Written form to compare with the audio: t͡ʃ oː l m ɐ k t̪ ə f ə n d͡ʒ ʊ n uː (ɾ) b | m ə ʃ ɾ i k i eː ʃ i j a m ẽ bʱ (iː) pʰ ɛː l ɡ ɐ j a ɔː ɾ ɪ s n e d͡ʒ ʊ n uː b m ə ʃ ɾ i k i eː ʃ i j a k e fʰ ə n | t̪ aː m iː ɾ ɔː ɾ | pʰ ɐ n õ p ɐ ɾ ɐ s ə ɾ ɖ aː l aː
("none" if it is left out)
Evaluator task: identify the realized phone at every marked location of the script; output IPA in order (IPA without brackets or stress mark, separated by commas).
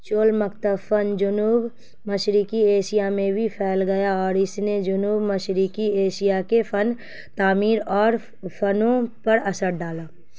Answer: none, i